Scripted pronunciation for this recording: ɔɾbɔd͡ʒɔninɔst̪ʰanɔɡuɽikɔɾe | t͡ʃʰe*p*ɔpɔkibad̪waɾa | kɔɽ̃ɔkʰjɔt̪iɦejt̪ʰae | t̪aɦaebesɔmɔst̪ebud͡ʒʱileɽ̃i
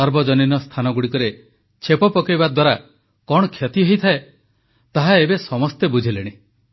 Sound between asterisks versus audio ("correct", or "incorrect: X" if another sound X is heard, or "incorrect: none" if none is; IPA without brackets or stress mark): correct